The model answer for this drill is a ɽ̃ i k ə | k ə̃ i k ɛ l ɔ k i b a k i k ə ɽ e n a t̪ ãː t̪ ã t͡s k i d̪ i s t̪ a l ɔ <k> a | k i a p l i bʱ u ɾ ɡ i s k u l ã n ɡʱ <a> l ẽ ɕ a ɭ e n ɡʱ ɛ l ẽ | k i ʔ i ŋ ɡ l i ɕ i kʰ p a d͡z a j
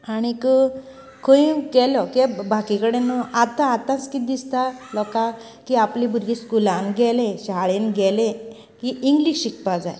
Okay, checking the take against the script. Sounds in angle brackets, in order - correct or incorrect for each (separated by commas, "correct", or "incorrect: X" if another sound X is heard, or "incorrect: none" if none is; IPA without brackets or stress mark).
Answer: correct, incorrect: ɛ